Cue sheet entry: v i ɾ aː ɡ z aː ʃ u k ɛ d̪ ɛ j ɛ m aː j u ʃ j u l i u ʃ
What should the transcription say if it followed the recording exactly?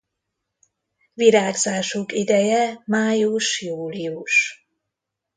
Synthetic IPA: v i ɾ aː ɡ z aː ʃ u k i d̪ ɛ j ɛ m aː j u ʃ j uː l i u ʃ